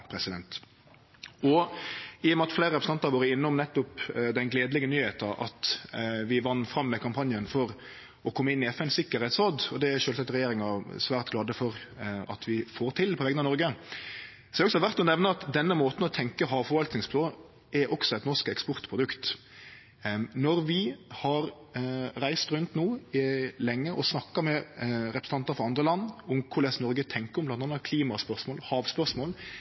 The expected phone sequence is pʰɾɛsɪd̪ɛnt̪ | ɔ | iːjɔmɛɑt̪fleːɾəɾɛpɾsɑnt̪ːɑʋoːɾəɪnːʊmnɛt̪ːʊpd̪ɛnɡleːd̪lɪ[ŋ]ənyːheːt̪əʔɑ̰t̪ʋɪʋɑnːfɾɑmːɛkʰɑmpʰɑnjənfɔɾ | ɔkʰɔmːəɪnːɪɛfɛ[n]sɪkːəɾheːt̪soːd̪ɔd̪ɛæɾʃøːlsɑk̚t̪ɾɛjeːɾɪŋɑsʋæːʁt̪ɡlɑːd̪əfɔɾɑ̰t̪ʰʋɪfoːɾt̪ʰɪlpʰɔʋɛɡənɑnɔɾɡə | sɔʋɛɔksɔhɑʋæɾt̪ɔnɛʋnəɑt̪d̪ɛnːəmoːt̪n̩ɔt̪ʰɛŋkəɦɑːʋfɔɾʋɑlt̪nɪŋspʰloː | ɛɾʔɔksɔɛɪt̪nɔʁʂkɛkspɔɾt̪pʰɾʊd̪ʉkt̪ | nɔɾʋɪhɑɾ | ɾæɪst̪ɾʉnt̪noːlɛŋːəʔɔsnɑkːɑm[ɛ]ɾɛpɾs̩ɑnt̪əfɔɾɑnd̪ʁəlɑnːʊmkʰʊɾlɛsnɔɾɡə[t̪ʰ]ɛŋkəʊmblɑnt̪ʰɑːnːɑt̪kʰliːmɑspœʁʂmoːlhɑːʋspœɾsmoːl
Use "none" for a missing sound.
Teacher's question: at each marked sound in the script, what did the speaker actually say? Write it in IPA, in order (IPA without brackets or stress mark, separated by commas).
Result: ɡ, n, ɛ, t̪ʰ